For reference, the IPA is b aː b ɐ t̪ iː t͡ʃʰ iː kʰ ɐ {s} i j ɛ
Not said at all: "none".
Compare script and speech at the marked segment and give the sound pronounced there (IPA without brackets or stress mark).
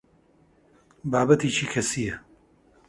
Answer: s